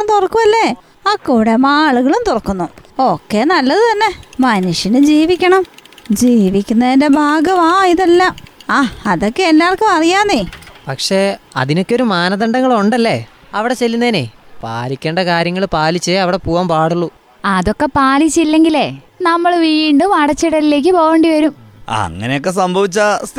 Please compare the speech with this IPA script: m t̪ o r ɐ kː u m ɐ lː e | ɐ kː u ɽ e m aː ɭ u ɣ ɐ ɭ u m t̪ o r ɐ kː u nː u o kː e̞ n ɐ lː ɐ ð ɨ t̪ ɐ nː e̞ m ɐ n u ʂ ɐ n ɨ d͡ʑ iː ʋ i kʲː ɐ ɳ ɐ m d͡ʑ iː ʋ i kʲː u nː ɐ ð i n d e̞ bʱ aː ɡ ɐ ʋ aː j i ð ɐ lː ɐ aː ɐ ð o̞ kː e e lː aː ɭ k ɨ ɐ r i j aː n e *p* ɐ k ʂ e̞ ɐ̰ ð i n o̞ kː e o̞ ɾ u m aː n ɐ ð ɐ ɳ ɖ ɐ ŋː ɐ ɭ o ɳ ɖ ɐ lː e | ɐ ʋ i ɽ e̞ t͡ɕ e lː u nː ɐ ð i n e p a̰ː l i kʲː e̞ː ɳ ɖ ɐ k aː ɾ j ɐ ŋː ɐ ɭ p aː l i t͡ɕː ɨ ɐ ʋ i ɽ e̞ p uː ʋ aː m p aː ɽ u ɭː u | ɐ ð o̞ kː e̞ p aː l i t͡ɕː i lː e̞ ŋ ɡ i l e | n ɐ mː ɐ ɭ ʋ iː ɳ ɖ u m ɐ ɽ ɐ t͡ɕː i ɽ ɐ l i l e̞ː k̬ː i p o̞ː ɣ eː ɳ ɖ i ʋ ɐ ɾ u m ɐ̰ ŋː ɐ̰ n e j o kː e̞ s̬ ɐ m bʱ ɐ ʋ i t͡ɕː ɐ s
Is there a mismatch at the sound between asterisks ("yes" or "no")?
no